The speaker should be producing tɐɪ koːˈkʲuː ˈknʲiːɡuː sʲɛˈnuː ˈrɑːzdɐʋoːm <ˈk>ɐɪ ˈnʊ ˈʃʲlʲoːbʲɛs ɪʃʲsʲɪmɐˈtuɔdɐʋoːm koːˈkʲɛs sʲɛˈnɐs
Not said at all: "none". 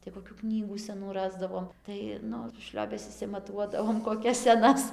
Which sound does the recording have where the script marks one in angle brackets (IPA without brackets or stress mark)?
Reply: t